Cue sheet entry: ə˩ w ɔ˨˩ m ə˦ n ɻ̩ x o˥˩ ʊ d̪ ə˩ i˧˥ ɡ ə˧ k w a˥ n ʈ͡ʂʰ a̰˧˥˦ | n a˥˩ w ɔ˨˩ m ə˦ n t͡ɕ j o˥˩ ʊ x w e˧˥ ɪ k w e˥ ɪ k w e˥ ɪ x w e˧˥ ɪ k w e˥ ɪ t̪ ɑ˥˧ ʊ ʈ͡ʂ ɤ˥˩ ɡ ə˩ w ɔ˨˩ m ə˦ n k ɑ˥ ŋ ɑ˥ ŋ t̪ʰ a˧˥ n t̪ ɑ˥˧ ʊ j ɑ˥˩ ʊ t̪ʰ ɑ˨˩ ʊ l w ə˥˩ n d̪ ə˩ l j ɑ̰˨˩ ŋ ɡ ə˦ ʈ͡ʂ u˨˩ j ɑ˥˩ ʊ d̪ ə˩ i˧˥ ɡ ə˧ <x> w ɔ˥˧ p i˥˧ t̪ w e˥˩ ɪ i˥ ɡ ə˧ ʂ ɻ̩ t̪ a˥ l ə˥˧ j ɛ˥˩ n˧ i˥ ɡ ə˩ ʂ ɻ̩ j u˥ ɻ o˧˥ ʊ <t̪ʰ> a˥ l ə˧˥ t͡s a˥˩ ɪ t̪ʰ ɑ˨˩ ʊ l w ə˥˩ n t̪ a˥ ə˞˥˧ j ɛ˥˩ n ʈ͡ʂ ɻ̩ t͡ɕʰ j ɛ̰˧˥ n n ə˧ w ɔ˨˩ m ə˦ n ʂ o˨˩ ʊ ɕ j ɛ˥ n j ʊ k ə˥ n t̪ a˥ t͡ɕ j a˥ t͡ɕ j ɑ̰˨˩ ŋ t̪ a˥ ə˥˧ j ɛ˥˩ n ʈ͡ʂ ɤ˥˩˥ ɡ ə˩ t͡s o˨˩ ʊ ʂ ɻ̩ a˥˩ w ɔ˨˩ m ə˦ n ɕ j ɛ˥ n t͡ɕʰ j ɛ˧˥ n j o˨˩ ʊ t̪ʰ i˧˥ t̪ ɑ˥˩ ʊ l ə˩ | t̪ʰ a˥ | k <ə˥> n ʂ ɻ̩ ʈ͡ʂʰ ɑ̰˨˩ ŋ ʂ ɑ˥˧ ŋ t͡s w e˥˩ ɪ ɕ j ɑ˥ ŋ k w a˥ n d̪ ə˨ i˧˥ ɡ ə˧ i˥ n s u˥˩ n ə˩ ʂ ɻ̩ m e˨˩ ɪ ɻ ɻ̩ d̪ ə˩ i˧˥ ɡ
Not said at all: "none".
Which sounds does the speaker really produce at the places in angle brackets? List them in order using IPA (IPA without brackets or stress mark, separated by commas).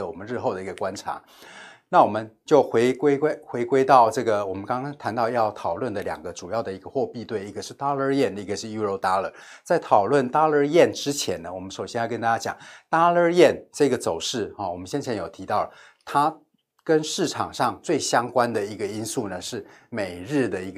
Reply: x, t̪, ə˥